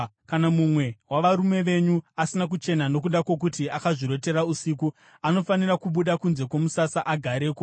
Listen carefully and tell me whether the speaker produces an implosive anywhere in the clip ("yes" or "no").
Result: yes